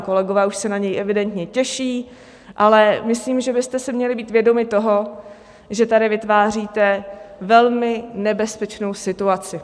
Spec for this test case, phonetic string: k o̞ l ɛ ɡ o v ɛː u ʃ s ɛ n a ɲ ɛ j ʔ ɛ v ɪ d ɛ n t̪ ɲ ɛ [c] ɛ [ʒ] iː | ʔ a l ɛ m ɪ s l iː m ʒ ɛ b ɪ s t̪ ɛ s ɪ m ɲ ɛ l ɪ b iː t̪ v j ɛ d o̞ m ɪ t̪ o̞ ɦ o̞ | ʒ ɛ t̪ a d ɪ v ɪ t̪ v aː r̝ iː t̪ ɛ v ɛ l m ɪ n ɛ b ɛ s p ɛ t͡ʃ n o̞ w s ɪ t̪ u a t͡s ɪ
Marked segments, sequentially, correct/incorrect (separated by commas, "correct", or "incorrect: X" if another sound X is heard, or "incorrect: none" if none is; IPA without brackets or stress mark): correct, incorrect: ʃ